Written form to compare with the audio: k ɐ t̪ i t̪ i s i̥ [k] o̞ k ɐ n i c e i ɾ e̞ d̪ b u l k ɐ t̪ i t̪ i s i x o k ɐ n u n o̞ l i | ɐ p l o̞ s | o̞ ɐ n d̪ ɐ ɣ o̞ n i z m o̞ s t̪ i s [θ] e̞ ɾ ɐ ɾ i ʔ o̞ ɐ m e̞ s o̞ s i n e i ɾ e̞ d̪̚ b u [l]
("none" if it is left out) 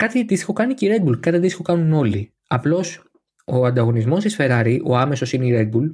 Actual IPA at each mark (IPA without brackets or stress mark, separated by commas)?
x, f, l